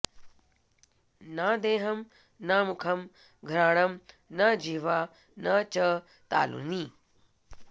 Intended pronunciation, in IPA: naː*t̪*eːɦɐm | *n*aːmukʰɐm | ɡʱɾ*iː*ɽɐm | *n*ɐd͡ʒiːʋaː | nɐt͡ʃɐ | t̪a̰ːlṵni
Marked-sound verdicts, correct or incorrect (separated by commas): incorrect, correct, incorrect, correct